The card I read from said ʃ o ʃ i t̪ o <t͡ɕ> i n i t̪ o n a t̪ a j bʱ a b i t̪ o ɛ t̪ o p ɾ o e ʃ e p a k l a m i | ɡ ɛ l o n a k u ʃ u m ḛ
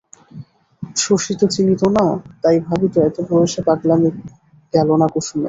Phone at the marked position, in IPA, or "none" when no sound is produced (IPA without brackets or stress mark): t͡ɕ